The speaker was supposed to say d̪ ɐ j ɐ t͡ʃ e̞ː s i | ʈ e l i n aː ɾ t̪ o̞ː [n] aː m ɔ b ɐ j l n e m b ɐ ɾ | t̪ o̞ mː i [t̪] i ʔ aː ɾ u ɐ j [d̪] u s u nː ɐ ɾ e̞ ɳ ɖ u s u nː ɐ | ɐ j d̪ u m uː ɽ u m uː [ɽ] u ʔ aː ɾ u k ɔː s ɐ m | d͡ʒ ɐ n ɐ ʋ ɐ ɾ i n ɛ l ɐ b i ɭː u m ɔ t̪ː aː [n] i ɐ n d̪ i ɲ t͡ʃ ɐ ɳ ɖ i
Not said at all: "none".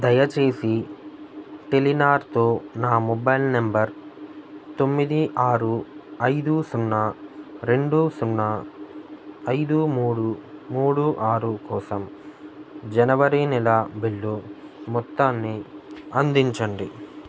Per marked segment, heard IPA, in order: n, d̪, d̪, ɽ, nː

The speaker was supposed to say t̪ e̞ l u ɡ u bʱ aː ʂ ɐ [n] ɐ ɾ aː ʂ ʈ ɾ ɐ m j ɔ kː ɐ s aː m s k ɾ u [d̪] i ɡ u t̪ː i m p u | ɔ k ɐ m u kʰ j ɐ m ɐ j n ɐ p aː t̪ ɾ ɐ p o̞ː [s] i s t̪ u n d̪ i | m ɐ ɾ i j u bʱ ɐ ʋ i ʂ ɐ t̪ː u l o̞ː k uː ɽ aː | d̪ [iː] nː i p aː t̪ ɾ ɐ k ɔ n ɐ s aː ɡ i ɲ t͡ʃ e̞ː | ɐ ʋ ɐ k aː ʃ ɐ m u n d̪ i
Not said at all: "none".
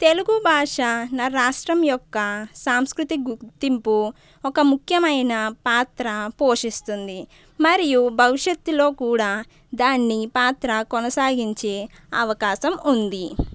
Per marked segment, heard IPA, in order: n, t̪, ʂ, aː

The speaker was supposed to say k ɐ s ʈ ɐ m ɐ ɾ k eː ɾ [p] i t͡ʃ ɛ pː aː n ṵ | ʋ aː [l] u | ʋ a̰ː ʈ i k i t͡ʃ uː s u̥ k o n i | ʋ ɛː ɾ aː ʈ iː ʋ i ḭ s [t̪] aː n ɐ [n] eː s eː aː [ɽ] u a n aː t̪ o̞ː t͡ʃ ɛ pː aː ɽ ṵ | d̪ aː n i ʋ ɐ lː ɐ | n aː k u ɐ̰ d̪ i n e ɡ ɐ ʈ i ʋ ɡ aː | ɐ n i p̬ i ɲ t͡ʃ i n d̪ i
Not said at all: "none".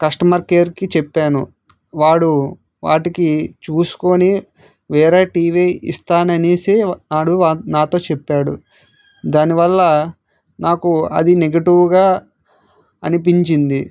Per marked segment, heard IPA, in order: k, ɽ, t̪, n, ɽ

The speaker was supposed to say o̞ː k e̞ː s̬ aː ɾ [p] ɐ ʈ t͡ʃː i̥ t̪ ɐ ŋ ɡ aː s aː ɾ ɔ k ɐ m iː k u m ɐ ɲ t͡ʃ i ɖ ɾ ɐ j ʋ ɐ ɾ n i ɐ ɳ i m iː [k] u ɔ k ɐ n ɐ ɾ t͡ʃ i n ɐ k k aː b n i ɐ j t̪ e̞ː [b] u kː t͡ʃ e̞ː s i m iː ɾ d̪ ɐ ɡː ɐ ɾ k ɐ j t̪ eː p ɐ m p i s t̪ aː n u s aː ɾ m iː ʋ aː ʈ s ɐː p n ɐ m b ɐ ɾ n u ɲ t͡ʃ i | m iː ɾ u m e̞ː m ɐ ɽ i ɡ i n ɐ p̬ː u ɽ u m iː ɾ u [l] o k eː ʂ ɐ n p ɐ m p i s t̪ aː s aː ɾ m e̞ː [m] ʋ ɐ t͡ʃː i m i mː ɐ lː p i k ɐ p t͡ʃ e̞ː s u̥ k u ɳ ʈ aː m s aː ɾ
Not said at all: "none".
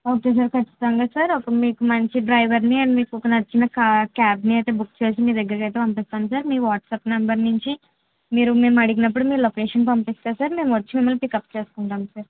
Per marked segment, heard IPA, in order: k, k, b, l, m

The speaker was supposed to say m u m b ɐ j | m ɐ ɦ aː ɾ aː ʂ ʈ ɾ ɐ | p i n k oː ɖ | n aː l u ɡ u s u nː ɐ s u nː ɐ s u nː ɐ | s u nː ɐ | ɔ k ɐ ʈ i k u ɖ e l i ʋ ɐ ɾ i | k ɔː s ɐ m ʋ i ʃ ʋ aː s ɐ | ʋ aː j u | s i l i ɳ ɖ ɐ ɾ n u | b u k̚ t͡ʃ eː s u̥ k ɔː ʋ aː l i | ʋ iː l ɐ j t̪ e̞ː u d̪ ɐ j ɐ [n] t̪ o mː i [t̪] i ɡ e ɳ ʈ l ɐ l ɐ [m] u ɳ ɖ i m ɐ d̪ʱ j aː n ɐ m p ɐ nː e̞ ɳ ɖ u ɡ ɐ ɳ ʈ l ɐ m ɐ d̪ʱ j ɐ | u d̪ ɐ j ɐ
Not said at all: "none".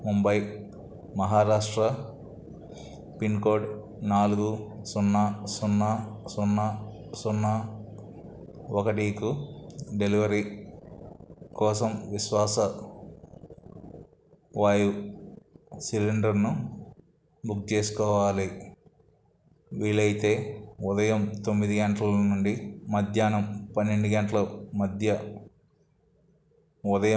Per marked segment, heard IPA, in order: m, d̪, n

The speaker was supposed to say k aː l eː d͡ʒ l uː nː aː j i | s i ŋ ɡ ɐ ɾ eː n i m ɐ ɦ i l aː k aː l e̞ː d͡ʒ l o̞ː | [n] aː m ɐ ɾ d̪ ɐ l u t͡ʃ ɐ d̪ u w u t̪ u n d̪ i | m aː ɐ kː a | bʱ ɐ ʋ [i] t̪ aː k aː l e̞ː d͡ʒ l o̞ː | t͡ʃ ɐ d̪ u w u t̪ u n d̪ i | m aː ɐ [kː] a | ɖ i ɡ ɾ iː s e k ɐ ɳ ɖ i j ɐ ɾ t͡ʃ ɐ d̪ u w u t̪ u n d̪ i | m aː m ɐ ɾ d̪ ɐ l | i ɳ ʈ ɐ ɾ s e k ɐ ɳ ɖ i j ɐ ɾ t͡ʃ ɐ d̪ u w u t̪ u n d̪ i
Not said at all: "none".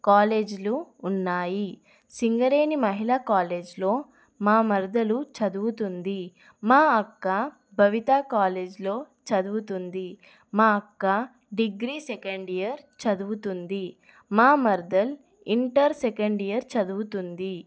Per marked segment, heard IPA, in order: m, i, kː

